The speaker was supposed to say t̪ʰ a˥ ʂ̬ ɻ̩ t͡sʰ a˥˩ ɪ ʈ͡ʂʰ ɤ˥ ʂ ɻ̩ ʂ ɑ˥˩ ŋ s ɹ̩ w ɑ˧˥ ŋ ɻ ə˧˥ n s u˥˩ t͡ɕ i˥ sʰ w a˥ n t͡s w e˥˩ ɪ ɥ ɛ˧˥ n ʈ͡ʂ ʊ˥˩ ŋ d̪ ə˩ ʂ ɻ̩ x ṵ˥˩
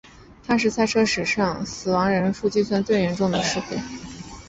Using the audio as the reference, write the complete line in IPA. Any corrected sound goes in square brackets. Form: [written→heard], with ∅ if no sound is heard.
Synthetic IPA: t̪ʰ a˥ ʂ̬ ɻ̩ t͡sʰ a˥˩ ɪ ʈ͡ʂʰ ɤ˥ ʂ ɻ̩ ʂ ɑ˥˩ ŋ s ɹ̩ w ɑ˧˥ ŋ ɻ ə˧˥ n [s→f] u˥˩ t͡ɕ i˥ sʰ w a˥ n t͡s w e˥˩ ɪ ɥ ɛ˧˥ n ʈ͡ʂ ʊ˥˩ ŋ d̪ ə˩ ʂ ɻ̩ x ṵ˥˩

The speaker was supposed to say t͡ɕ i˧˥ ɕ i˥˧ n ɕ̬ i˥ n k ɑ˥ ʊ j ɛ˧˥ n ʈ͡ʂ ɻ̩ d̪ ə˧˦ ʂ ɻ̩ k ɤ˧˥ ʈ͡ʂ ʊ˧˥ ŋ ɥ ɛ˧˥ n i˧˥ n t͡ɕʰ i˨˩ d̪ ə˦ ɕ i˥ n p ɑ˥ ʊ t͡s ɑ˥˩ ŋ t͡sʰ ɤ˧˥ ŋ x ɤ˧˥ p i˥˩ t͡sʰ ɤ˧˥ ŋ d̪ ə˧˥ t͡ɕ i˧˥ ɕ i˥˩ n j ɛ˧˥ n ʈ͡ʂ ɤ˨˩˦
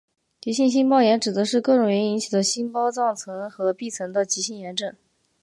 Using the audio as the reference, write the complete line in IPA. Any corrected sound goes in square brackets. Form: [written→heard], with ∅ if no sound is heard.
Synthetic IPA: t͡ɕ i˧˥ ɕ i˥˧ n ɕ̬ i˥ n [k→p] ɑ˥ ʊ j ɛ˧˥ n ʈ͡ʂ ɻ̩ d̪ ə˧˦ ʂ ɻ̩ k [ɤ˧˥→ɤ˥˩] ʈ͡ʂ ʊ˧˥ ŋ ɥ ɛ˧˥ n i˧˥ n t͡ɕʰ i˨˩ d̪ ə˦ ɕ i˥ n p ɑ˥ ʊ t͡s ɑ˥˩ ŋ t͡sʰ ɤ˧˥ ŋ x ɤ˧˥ p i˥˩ t͡sʰ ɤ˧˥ ŋ d̪ [ə˧˥→ə˧] t͡ɕ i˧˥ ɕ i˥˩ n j ɛ˧˥ n ʈ͡ʂ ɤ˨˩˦

